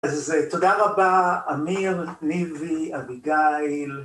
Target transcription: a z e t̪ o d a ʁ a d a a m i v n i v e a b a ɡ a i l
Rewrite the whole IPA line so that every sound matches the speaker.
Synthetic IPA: a z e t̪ o d a ʁ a b a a m i ʁ n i v i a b i ɡ a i l